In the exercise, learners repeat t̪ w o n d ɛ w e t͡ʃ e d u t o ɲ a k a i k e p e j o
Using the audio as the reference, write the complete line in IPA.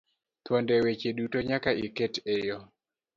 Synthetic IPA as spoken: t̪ w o n d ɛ w e t͡ʃ e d u t o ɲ a k a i k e t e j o